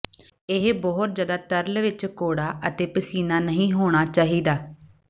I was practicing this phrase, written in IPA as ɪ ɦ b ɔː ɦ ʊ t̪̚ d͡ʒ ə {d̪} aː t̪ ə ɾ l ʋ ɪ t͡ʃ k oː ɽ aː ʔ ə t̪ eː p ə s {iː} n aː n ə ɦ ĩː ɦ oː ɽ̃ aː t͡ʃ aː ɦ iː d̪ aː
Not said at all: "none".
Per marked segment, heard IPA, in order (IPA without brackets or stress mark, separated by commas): d̪, iː